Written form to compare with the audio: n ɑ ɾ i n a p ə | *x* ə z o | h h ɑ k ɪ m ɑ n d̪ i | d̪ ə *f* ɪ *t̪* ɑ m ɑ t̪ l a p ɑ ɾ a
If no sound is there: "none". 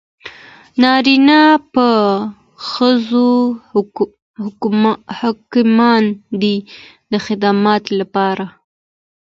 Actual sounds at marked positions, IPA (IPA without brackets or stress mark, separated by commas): x, x, d̪